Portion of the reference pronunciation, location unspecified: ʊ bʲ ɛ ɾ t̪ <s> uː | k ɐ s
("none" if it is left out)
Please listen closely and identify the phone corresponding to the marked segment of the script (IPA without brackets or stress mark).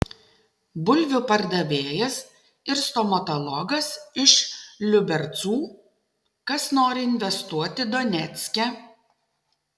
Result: s